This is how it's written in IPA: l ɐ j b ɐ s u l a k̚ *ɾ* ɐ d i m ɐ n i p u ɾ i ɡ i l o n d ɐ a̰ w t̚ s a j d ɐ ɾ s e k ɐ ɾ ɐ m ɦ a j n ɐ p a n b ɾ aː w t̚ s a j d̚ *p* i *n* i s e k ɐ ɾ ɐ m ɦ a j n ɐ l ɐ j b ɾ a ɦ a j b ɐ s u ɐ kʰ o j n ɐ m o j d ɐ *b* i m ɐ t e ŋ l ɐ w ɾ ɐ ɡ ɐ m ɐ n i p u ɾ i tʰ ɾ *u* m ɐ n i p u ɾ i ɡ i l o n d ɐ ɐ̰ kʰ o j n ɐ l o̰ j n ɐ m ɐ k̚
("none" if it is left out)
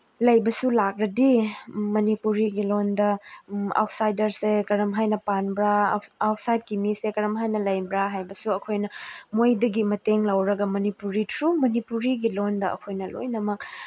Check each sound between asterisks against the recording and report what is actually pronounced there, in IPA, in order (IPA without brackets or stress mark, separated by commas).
ɾ, k, m, ɡ, u